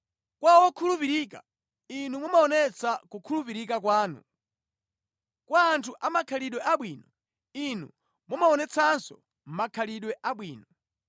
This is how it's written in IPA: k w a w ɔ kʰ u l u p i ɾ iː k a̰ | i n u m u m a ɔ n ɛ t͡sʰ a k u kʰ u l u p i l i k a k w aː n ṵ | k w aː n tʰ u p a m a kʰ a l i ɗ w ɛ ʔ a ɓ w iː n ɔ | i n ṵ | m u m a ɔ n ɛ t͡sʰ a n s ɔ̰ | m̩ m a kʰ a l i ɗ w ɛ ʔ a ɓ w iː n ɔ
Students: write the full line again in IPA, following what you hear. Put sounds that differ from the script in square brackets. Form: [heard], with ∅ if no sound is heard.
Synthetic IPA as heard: k w a w ɔ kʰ u l u p i ɾ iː k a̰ | i n u m u m a ɔ n ɛ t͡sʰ a k u kʰ u l u p i [ɾ] i k a k w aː n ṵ | k w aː n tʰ u [ʔ] a m a kʰ a l i ɗ w ɛ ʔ a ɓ w iː n ɔ | i n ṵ | m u m a ɔ n ɛ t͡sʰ a n s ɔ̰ | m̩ m a kʰ a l i ɗ w ɛ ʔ a ɓ w iː n ɔ